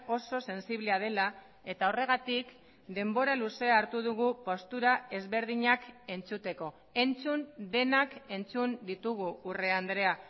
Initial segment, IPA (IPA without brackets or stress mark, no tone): o̞